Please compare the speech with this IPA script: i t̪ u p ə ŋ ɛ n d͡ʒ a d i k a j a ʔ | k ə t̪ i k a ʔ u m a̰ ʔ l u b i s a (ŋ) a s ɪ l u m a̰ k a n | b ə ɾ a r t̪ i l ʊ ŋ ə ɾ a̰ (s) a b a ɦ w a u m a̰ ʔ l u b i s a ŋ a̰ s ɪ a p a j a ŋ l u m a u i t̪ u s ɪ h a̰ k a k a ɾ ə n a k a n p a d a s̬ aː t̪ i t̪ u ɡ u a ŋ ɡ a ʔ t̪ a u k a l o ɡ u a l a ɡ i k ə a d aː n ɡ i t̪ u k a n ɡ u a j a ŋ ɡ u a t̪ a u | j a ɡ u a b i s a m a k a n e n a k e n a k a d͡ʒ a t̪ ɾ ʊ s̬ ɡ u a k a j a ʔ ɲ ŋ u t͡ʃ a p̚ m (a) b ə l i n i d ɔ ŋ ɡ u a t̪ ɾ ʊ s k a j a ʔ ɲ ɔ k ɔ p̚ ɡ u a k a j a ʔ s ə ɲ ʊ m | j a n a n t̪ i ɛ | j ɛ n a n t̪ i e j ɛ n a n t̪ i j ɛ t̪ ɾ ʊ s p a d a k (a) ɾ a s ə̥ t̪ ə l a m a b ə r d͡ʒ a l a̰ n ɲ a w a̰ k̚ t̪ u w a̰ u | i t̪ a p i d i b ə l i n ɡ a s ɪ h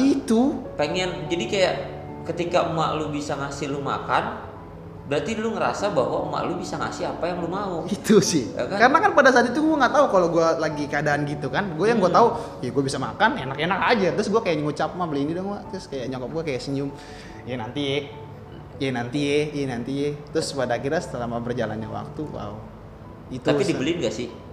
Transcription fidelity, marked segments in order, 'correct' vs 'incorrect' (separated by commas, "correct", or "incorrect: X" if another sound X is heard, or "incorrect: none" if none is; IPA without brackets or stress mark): correct, correct, correct, incorrect: i